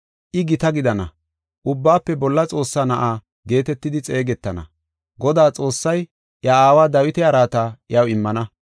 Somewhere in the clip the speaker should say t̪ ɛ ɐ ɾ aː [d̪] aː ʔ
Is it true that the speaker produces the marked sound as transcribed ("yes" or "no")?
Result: no